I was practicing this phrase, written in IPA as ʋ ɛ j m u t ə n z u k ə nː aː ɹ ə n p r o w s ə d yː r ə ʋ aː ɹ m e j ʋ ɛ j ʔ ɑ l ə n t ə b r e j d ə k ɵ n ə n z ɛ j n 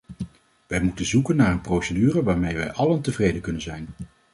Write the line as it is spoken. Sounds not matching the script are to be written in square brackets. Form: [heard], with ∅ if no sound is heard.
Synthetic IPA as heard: ʋ ɛ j m u t ə n z u k ə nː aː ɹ ə n p r o w s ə d yː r ə ʋ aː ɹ m e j ʋ ɛ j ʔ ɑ l ə n t ə [v] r e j d ə k ɵ n ə n z ɛ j n